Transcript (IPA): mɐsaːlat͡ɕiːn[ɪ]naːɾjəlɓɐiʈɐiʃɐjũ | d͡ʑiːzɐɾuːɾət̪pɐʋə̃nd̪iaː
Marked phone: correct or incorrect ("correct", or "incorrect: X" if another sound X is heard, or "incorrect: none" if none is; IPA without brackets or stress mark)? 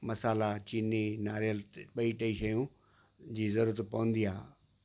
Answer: incorrect: i